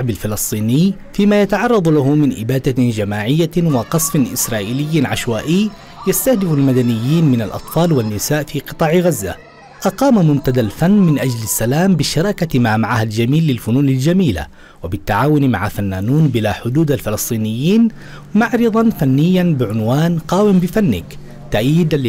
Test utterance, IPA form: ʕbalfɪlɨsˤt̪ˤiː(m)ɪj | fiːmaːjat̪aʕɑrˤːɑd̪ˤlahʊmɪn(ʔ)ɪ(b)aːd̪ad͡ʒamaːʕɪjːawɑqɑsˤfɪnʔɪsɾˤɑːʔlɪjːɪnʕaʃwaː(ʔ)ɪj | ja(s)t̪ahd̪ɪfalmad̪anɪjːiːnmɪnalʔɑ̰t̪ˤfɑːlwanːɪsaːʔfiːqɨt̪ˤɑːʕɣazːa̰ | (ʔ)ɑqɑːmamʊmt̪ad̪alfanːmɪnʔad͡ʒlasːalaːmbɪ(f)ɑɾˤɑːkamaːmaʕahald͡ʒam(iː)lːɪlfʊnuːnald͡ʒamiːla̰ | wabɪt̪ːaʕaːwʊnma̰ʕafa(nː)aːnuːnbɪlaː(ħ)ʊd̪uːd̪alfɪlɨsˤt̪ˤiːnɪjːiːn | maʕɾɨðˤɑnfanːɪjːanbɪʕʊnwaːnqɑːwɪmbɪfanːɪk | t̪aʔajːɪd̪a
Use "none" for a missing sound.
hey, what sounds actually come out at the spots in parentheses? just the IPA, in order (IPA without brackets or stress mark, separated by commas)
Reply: n, ʔ, b, ʔ, s, ʔ, ʃ, iː, nː, ħ